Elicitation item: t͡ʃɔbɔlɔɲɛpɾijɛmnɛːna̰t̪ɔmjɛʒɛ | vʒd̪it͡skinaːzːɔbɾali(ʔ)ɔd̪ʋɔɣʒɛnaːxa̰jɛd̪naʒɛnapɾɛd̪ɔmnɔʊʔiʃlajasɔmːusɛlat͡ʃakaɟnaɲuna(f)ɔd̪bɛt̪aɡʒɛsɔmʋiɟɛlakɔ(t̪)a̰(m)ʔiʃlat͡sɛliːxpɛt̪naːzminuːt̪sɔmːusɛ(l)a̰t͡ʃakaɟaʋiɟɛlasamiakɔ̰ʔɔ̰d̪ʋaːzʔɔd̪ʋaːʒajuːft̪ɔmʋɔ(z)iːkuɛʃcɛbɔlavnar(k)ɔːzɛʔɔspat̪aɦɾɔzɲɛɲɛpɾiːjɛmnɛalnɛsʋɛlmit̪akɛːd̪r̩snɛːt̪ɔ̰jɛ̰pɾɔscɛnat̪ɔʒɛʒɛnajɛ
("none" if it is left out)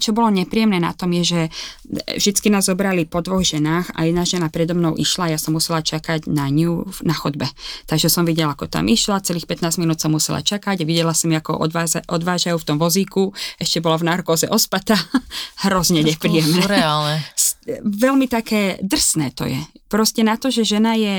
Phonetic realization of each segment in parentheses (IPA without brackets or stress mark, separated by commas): p, x, t̪, m, l, z, k